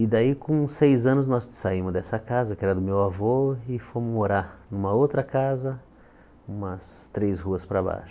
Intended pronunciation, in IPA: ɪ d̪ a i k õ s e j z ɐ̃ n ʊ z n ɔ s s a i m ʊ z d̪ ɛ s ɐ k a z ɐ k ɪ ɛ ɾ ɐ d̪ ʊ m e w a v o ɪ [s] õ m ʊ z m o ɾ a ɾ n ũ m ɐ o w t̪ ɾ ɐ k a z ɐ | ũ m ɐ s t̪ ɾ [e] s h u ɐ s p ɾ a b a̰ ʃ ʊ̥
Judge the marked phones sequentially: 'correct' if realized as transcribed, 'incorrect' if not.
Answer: incorrect, correct

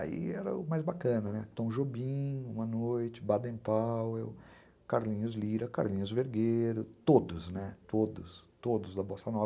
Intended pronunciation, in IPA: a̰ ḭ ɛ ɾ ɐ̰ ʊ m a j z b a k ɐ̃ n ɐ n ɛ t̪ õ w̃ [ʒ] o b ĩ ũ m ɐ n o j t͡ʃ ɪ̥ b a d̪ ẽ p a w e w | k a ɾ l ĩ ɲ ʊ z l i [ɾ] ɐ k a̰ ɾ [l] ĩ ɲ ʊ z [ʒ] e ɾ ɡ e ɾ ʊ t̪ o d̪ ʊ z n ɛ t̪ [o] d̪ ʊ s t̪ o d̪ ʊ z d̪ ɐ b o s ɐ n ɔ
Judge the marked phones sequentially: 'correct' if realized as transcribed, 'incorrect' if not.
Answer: correct, correct, correct, incorrect, correct

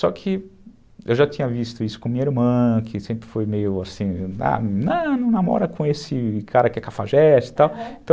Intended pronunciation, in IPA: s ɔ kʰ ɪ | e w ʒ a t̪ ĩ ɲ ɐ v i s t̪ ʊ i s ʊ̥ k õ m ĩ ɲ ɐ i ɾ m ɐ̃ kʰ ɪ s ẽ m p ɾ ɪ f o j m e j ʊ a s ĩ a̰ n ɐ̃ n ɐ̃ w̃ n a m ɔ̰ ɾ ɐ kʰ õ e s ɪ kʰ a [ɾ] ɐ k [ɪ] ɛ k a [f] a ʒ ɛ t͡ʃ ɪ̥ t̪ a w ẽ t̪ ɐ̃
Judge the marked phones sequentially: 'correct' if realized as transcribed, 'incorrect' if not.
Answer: correct, correct, correct

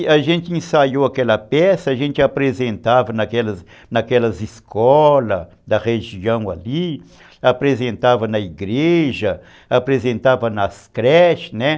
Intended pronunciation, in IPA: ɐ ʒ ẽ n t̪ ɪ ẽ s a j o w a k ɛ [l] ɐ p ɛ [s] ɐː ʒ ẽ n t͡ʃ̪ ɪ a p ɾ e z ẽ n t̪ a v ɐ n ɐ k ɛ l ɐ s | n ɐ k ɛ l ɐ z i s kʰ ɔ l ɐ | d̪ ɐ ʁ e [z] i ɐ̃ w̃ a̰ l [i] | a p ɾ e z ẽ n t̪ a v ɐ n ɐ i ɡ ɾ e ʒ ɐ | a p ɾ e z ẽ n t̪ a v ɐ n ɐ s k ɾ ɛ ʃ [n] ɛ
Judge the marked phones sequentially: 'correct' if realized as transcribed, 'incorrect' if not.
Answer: correct, correct, incorrect, correct, correct

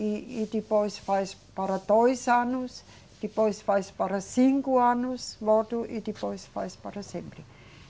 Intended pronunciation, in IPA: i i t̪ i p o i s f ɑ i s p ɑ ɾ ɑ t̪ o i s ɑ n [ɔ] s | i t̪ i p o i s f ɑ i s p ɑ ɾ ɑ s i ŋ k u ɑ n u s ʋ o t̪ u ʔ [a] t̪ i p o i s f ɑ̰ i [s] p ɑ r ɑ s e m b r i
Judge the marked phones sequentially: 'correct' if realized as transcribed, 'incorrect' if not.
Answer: incorrect, incorrect, correct

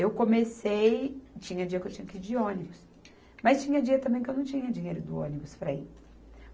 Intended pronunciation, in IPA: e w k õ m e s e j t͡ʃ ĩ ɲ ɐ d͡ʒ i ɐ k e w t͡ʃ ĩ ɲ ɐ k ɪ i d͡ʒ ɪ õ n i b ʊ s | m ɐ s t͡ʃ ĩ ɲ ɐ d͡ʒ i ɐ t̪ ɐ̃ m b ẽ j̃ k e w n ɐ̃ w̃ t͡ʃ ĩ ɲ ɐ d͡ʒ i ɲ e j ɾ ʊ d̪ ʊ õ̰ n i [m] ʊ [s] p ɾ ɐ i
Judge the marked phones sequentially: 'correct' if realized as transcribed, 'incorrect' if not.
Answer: incorrect, correct

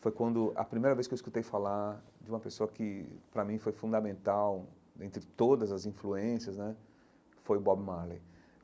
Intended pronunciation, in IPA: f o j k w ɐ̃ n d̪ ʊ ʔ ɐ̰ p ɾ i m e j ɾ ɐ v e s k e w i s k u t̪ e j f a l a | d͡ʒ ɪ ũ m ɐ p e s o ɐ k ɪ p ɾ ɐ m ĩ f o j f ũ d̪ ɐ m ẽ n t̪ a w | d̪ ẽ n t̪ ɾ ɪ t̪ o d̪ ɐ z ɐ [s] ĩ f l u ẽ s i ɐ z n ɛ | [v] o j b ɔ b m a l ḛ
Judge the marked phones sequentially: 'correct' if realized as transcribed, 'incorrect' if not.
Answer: incorrect, incorrect

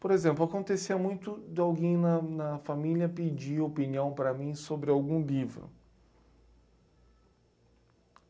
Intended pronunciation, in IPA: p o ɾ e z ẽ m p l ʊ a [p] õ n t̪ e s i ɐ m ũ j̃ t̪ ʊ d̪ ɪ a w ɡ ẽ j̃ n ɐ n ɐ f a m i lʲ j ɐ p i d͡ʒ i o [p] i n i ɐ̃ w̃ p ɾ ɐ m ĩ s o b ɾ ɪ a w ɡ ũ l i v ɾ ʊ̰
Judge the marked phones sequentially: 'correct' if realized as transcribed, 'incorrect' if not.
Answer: incorrect, correct

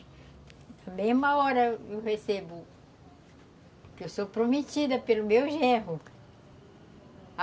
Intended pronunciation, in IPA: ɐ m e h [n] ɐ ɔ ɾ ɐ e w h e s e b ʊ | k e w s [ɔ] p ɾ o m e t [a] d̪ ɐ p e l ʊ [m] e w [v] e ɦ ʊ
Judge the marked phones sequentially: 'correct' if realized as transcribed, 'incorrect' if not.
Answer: incorrect, incorrect, incorrect, correct, incorrect

